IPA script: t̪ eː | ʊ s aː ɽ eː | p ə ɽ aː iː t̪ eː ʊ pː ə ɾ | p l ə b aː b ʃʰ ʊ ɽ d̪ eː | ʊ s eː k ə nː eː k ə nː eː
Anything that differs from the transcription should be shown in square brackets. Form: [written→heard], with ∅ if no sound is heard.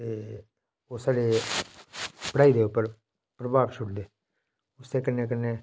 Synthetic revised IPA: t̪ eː | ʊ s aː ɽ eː | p ə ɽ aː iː [t̪→d̪] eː ʊ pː ə ɾ | p [l→ɾ] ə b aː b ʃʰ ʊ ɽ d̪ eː | ʊ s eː k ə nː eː k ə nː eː